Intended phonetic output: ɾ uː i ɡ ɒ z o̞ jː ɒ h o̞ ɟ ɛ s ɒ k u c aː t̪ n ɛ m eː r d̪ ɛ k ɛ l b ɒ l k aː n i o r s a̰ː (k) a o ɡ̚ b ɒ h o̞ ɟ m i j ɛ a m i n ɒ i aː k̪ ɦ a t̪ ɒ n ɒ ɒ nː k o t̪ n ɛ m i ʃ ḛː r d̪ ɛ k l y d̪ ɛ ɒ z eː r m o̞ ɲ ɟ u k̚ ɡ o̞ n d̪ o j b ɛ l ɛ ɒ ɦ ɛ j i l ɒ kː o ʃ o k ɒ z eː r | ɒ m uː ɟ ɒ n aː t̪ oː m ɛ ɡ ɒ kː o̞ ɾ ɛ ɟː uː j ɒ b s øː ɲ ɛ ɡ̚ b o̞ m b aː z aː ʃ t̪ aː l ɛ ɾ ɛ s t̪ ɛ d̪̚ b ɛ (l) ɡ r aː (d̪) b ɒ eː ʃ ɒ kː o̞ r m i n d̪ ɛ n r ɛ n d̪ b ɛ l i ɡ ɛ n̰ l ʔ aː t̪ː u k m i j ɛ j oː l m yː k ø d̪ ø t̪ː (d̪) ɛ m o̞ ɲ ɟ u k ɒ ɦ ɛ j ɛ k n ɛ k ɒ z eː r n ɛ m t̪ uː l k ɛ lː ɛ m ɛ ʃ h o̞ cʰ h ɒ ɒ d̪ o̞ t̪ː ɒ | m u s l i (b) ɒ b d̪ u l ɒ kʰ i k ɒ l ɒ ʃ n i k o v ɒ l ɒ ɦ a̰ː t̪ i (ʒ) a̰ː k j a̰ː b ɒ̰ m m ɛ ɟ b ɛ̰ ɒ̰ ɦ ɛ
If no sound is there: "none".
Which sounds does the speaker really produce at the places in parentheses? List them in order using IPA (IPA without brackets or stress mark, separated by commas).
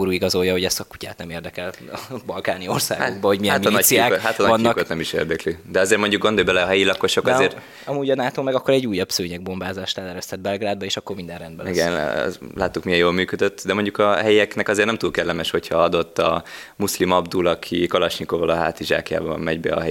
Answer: ɡ, l, d̪, d̪, m, ʒ